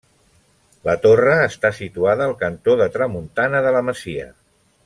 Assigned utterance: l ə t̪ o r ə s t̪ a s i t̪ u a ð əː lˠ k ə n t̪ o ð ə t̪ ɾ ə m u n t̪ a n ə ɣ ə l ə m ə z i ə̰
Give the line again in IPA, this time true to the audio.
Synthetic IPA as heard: l ə t̪ o r əː s t̪ a s i t̪ u a ð əː lˠ k ə n t̪ o ð ə t̪ ɾ ə m u n t̪ a n ə ð ə l ə m ə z i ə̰

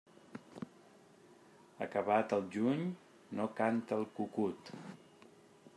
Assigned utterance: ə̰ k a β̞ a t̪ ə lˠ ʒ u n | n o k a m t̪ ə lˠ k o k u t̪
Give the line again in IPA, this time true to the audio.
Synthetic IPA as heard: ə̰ k ə β̞ a t̪ ə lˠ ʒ u ɲ | n o k a n t̪ ə lˠ k u k u t̪

